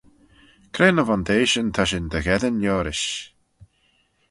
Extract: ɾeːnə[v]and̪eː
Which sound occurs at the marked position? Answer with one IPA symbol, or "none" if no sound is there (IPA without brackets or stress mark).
v